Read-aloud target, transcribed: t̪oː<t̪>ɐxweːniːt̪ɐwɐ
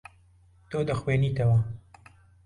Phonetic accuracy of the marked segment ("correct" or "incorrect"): incorrect